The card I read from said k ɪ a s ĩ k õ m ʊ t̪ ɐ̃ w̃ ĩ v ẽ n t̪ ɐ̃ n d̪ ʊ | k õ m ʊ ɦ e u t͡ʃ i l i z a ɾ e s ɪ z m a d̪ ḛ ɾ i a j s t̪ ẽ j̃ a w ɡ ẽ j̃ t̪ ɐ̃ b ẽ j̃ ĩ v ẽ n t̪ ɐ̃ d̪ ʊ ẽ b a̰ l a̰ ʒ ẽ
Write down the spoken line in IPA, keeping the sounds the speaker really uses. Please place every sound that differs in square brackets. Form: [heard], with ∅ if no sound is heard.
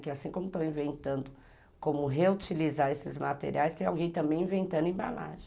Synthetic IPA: k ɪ a s ĩ k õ m ʊ t̪ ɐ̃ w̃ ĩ v ẽ n t̪ ɐ̃ n d̪ ʊ | k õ m ʊ ɦ e u t͡ʃ i l i z a ɾ e s ɪ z m a [t̪] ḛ ɾ i a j s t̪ ẽ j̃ a w ɡ ẽ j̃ t̪ ɐ̃ b ẽ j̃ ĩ v ẽ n t̪ ɐ̃ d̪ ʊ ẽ b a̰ l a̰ ʒ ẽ